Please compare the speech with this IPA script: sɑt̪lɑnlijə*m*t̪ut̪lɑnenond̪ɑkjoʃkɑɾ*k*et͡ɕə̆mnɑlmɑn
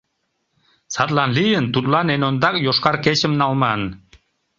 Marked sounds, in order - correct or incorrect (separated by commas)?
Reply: incorrect, correct